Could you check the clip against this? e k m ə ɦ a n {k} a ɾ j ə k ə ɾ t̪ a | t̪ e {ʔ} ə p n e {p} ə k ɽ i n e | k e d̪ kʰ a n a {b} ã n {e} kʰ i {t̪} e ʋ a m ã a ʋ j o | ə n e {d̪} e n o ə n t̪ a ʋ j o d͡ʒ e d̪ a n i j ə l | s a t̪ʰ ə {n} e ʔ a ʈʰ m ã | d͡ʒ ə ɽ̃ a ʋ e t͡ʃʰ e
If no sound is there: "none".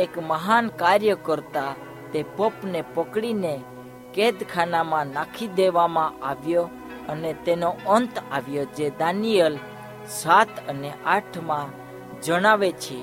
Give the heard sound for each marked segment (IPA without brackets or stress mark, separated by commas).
k, p, p, m, a, d̪, t̪, n